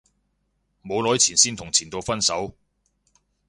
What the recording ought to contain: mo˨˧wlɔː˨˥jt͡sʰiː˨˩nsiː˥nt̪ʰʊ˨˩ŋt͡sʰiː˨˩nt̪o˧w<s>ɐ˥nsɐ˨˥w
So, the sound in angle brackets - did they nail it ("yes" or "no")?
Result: no